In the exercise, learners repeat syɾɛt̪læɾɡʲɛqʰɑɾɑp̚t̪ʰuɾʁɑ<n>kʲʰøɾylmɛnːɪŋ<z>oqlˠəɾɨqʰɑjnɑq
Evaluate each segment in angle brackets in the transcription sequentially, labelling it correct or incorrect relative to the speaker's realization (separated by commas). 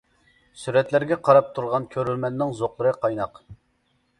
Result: correct, correct